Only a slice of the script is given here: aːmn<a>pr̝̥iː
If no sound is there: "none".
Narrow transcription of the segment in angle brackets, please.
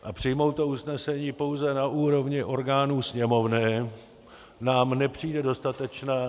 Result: ɛ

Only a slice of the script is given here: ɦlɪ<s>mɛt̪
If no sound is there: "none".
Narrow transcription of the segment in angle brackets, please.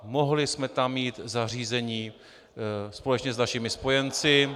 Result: s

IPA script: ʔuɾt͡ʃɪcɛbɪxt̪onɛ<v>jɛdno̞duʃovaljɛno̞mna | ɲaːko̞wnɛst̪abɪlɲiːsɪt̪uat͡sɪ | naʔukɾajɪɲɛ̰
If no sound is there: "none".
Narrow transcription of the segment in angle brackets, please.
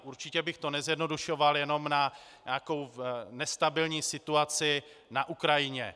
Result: z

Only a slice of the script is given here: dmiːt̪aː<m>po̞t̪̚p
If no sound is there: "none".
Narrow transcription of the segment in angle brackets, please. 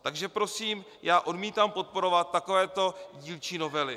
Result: m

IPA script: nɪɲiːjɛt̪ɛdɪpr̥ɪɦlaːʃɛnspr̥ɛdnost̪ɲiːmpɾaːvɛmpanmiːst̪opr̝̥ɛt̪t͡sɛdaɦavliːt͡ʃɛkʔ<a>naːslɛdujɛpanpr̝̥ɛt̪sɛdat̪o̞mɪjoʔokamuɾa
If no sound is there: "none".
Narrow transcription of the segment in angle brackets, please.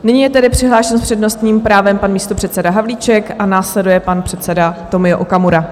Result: a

